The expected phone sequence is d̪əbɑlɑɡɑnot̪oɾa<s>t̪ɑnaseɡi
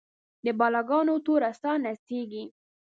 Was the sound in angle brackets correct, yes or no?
yes